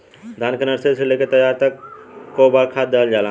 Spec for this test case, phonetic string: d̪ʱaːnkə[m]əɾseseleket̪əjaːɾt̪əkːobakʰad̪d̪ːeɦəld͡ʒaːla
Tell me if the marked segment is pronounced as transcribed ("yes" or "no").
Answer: no